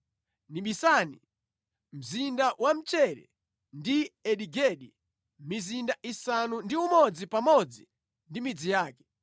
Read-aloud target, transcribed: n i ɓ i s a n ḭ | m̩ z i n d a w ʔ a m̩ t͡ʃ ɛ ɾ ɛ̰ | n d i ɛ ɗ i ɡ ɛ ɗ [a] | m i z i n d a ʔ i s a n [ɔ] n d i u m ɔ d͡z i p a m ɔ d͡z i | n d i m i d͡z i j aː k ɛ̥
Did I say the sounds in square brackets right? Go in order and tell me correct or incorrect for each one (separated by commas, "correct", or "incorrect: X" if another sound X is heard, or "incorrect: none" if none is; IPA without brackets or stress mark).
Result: incorrect: i, incorrect: u